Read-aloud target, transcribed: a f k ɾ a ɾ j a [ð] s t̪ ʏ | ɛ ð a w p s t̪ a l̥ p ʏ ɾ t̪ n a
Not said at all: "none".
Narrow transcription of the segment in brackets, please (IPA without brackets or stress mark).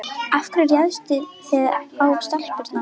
ð